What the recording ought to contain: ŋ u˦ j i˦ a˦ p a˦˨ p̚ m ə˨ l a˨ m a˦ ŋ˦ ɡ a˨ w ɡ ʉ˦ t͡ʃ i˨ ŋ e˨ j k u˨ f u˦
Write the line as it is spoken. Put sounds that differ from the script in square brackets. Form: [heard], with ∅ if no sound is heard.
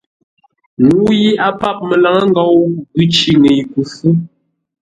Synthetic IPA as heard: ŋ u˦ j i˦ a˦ p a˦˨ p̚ m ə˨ l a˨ [ŋ] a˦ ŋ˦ ɡ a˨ w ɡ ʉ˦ t͡ʃ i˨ ŋ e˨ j k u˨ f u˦

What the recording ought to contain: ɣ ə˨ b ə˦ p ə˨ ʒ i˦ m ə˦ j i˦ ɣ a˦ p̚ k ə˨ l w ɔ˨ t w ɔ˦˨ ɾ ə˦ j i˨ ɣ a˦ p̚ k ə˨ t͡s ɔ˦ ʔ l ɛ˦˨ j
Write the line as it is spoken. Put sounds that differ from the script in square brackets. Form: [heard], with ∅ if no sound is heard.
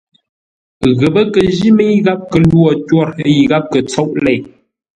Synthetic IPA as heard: ɣ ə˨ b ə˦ [k] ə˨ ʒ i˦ m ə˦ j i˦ ɣ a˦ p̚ k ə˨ l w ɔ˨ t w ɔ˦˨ ɾ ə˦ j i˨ ɣ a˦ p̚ k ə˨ t͡s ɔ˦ ʔ l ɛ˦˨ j

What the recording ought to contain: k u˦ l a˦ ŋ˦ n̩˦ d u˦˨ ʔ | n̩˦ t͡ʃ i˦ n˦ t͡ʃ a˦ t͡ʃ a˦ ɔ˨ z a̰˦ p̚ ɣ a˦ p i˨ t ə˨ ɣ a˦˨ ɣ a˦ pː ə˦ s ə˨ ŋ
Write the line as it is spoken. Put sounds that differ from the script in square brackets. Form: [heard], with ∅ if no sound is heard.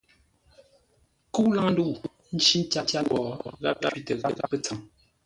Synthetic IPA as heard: k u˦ l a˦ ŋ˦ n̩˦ d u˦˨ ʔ | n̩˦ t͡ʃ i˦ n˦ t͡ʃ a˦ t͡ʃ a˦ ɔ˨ [ɣ] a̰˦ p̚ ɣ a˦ p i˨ t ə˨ ɣ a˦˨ ɣ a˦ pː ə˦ [t͡s] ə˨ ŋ

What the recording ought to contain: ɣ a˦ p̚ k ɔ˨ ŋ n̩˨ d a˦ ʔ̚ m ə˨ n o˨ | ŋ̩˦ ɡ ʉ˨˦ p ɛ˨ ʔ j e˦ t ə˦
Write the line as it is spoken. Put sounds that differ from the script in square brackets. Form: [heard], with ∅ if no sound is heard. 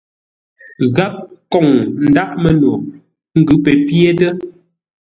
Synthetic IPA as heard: ɣ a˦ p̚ k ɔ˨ ŋ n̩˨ d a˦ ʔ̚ m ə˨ n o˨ | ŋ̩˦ ɡ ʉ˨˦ p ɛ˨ [p] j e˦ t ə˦

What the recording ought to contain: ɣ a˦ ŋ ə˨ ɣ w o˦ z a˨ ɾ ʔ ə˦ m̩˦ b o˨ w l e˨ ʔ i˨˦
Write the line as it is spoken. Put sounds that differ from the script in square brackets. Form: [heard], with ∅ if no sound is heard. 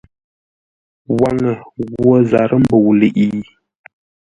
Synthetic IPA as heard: [w] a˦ ŋ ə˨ ɣ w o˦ z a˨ ɾ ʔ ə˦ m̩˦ b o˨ w l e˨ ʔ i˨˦

